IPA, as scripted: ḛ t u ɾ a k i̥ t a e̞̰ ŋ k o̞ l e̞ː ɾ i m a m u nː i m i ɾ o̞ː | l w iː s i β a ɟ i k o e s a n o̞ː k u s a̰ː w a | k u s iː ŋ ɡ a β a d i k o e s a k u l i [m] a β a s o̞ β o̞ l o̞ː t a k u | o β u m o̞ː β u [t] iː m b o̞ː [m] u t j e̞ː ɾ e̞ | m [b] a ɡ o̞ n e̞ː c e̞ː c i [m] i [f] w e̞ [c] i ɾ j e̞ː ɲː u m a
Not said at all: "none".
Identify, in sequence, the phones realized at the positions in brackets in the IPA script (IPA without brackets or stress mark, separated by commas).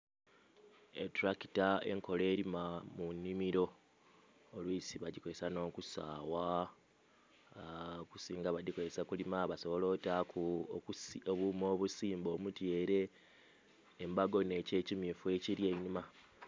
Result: m, s, m, b, m, f, c